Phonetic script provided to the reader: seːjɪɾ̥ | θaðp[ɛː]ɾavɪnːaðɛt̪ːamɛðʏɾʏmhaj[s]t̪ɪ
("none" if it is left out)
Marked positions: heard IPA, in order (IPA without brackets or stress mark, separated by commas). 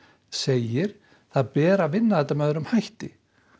ɛː, h